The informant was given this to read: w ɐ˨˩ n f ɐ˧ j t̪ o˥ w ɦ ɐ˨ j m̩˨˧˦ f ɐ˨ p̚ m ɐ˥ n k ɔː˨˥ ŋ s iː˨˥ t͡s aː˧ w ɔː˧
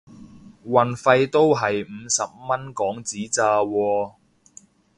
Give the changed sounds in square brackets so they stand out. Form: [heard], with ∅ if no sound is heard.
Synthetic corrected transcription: w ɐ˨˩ n f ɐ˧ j t̪ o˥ w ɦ ɐ˨ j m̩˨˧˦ [s] ɐ˨ p̚ m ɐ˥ n k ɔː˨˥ ŋ [t͡s] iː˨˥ t͡s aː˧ w ɔː˧